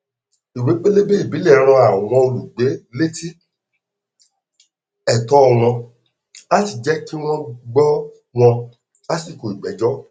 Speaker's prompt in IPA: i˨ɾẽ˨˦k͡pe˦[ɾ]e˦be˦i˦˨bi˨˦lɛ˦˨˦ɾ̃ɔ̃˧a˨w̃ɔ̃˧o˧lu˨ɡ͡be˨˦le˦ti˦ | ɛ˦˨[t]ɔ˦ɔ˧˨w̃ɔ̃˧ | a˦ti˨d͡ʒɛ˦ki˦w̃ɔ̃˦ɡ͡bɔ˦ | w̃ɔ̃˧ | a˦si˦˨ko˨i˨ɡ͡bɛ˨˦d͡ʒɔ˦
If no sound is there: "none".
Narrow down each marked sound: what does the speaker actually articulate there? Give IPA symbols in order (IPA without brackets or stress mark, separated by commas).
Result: l, t